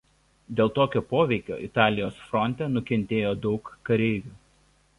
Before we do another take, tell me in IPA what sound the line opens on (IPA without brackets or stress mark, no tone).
d̪ʲ